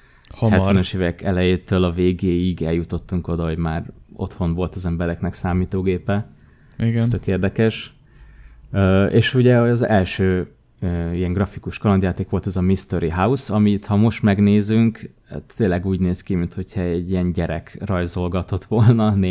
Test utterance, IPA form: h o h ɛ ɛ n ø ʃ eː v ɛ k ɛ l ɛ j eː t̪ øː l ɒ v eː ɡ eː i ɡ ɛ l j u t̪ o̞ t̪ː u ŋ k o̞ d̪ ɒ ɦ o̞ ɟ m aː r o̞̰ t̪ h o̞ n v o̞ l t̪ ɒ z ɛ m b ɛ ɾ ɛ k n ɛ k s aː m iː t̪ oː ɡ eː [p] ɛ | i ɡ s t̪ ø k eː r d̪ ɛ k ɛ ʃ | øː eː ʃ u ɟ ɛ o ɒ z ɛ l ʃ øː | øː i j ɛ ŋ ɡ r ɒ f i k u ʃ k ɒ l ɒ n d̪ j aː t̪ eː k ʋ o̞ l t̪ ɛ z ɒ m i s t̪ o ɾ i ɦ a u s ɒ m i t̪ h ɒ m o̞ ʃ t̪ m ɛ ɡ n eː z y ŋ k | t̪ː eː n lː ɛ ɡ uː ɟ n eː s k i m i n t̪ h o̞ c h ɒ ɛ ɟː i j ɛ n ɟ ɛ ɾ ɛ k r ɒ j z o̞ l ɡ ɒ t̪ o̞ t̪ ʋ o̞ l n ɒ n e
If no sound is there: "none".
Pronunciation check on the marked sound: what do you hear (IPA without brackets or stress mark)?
p